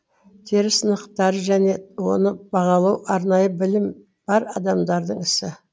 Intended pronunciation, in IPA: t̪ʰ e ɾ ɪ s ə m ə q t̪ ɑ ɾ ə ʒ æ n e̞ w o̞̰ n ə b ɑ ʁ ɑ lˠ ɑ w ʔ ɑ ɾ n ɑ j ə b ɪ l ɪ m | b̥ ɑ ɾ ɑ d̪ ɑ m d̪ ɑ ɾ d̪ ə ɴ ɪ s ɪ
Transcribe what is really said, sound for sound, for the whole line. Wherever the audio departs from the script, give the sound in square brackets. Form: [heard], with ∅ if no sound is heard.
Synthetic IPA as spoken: t̪ʰ e ɾ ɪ s ə [n] ə q t̪ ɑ ɾ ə ʒ æ n e̞ w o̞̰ n ə b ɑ ʁ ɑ lˠ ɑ w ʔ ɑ ɾ n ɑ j ə b ɪ l ɪ m | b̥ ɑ ɾ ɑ d̪ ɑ m d̪ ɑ ɾ d̪ ə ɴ ɪ s ɪ